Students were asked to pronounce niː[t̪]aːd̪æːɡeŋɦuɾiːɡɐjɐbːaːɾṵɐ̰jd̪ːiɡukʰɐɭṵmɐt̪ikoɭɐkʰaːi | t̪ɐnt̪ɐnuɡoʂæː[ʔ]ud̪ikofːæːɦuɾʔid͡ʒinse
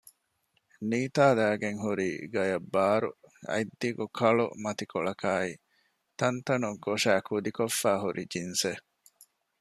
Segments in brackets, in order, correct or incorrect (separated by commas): correct, incorrect